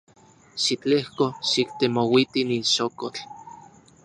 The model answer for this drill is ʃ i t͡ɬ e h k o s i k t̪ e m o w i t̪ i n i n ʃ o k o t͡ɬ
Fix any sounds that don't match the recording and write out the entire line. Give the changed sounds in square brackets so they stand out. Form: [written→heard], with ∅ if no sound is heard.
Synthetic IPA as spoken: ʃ i t͡ɬ e h k o [s→ʃ] i k t̪ e m o w i t̪ i n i n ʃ o k o t͡ɬ